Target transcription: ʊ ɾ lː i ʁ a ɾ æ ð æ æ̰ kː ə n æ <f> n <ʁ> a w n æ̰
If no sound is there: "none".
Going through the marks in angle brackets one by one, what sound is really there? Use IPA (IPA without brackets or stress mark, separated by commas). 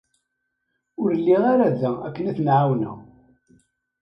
θ, ʕ